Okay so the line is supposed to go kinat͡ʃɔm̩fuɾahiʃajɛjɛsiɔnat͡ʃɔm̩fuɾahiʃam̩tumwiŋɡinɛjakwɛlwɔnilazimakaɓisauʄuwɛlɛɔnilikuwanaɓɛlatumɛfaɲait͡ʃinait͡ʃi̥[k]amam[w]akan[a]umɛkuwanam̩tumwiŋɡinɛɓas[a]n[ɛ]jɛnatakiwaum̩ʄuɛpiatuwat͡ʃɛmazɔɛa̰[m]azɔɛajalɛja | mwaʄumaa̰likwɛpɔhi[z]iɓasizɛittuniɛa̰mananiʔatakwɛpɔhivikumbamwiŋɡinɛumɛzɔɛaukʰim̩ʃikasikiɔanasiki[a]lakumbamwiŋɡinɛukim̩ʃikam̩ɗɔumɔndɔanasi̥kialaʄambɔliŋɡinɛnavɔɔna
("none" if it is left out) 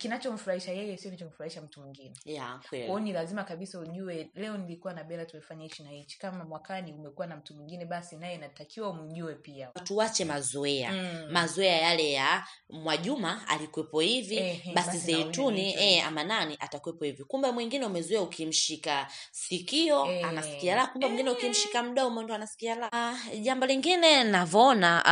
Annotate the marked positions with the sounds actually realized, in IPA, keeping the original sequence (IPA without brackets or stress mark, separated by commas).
k, w, i, i, a, m, v, a